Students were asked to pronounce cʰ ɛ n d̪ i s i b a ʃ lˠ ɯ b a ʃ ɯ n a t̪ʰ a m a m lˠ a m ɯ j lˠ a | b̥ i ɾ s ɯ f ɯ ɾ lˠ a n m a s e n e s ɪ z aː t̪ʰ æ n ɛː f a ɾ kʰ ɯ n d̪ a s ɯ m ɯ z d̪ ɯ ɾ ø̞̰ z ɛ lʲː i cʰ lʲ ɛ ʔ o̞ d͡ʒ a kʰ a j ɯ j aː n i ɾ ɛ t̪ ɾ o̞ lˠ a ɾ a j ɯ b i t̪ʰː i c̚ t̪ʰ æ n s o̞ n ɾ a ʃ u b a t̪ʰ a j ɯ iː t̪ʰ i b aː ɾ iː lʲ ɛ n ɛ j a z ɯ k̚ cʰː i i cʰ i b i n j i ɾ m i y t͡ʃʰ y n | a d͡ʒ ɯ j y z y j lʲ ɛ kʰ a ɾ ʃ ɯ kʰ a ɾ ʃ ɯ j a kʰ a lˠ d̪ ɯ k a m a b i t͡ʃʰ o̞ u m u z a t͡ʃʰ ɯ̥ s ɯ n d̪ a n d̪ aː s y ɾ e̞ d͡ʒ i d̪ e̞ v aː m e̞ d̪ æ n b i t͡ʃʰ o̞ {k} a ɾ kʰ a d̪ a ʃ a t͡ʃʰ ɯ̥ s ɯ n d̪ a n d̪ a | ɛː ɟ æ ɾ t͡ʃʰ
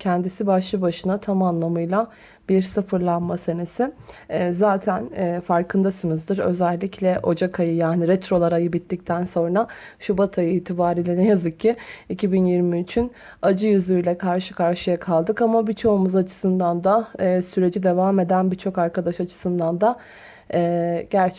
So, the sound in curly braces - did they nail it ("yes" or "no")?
yes